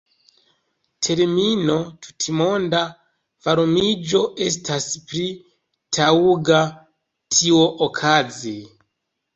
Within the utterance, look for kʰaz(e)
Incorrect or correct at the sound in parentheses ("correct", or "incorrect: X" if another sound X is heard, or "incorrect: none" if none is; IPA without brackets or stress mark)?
incorrect: i